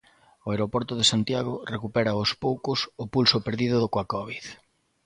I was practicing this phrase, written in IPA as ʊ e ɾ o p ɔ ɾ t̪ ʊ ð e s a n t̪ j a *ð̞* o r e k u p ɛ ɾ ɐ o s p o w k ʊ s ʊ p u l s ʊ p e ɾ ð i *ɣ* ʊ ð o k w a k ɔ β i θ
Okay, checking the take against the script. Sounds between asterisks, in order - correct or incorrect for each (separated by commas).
incorrect, incorrect